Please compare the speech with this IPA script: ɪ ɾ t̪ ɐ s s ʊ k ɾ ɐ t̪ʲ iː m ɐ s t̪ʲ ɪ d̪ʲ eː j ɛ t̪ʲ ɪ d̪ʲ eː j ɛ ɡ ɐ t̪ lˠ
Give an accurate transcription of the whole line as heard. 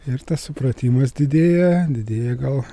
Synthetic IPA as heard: ɪ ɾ t̪ ɐ s s ʊ p ɾ ɐ t̪ʲ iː m ɐ s d̪ʲ ɪ d̪ʲ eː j ɛ d̪ʲ ɪ d̪ʲ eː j ɛ ɡ ɐ lˠ